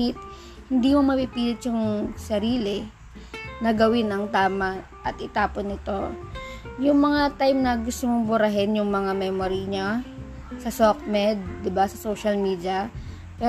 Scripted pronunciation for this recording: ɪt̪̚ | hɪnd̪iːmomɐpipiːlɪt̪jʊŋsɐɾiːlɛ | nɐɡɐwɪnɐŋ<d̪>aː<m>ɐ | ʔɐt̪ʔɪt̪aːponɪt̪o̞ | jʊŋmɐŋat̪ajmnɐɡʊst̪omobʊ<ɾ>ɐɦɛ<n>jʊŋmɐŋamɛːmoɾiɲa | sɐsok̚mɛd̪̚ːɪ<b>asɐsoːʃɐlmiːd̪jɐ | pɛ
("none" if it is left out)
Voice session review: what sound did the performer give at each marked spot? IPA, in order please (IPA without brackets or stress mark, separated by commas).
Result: t̪, m, ɾ, n, b